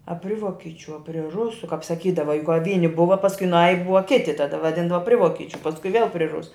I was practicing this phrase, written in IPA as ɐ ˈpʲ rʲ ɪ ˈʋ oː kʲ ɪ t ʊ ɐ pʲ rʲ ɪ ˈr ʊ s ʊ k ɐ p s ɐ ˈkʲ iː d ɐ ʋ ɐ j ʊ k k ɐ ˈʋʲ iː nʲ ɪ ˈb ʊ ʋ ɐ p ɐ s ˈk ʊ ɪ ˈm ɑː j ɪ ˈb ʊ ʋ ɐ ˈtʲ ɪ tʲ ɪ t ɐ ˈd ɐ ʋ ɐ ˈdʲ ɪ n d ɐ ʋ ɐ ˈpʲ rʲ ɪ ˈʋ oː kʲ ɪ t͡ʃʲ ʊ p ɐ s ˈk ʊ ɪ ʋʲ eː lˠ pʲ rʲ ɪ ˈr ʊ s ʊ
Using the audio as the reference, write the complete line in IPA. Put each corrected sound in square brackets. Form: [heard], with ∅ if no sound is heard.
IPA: ɐ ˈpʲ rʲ ɪ ˈʋ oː kʲ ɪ [t͡ʃʲ] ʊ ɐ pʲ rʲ ɪ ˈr ʊ s ʊ k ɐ p s ɐ ˈkʲ iː d ɐ ʋ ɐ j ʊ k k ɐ ˈʋʲ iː nʲ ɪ ˈb ʊ ʋ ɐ p ɐ s ˈk ʊ ɪ [ˈn] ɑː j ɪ ˈb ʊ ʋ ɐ [ˈkʲ] ɪ tʲ ɪ t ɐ ˈd ɐ ʋ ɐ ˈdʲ ɪ n d ɐ ʋ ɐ ˈpʲ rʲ ɪ ˈʋ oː kʲ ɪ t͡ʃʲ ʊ p ɐ s ˈk ʊ ɪ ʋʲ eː lˠ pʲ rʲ ɪ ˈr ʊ s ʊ